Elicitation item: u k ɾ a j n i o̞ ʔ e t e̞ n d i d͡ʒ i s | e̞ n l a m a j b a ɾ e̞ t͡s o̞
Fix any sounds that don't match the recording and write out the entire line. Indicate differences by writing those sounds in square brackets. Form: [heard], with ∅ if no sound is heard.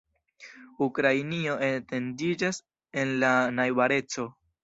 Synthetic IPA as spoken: u k ɾ a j n i o̞ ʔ e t e̞ n d i d͡ʒ [a] s | e̞ n l a [n] a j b a ɾ e̞ t͡s o̞